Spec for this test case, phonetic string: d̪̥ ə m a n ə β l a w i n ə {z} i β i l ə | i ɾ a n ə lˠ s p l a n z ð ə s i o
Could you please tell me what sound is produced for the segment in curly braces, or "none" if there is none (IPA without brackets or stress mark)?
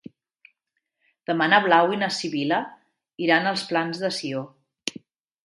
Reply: s